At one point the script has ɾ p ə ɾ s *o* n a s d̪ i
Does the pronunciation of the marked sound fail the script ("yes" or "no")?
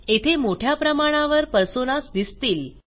no